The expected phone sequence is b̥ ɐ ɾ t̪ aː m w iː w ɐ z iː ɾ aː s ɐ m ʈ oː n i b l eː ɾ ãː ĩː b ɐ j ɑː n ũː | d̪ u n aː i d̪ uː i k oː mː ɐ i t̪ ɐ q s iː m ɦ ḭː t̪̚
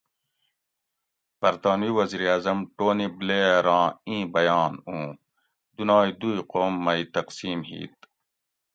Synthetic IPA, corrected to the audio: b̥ ɐ ɾ t̪ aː n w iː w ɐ z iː ɾ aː z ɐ m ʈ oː n i b l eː ɾ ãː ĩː b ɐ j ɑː n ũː | d̪ u n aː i d̪ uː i q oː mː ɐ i t̪ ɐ q s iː m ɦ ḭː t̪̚